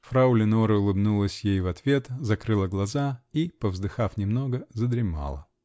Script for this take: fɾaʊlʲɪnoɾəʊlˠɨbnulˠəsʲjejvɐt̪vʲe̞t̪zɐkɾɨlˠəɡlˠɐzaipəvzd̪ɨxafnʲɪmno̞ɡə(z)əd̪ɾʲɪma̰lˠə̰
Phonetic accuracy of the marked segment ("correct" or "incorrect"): correct